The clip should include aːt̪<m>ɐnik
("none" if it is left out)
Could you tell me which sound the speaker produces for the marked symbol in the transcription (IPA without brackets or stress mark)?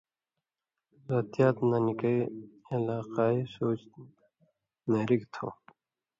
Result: n